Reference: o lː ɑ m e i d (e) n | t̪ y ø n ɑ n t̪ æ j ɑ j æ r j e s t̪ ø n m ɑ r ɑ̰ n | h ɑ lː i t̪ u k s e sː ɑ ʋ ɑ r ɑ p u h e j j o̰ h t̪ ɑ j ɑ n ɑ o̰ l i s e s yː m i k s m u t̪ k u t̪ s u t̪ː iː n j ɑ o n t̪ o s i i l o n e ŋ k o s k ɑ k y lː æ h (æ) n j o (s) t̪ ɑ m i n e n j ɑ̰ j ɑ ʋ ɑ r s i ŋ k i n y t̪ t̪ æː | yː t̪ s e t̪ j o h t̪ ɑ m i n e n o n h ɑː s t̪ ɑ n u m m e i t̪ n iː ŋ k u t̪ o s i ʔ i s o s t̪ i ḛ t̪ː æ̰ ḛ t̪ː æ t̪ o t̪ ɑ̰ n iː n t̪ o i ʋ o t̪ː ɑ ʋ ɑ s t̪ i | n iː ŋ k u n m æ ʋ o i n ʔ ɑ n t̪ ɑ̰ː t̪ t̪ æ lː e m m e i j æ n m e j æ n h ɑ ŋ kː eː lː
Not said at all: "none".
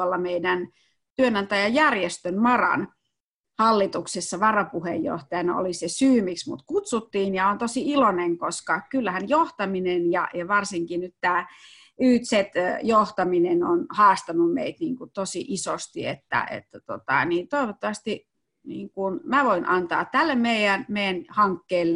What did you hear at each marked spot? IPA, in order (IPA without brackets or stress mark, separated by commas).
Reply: æ, æ, h